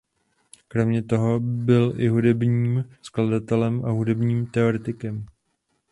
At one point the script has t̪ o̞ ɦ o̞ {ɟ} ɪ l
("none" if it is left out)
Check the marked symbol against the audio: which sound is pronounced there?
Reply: b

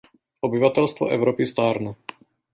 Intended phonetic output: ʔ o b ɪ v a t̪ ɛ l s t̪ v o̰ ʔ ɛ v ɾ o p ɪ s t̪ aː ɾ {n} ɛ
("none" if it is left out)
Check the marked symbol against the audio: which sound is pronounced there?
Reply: n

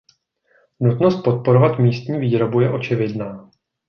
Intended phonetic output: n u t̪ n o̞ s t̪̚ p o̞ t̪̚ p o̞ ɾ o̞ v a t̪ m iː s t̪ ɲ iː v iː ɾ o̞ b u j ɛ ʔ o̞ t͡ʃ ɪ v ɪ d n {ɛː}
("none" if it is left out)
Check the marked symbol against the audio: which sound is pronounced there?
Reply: aː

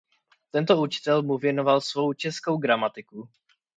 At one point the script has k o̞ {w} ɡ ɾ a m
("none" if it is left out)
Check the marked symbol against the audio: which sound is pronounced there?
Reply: w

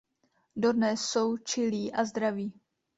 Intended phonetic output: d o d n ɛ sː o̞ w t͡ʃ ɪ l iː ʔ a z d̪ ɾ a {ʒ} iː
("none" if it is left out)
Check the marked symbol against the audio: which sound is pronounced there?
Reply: v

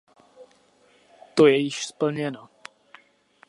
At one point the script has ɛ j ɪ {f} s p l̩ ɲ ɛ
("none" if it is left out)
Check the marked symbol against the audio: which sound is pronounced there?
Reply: ʃ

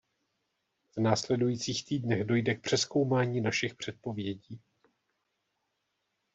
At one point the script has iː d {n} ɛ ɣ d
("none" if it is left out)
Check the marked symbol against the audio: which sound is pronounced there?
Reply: n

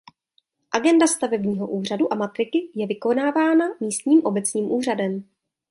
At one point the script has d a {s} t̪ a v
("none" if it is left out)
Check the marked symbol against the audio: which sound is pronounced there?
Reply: s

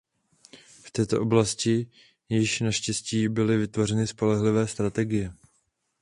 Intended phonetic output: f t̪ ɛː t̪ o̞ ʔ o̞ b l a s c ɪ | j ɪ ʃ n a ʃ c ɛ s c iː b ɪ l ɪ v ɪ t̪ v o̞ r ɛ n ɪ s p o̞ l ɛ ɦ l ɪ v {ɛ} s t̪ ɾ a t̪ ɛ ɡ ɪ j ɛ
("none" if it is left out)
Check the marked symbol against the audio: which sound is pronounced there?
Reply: ɛː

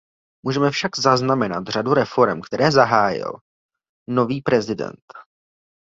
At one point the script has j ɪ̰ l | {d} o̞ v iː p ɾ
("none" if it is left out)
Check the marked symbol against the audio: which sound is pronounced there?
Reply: n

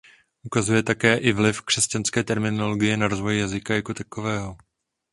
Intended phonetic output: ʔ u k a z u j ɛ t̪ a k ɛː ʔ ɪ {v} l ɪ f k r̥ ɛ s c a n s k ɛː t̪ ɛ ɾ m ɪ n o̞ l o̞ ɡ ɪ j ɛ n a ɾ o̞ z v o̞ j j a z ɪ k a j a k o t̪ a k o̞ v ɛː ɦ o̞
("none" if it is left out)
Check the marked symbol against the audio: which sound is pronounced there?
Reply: v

